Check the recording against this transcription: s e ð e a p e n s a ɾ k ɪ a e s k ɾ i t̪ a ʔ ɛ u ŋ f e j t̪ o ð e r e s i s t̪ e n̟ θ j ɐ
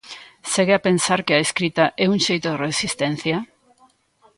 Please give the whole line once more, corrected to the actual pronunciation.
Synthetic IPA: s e ɣ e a p e n s a ɾ k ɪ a e s k ɾ i t̪ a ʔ ɛ u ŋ ʃ e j t̪ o ð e r e s i s t̪ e n̟ θ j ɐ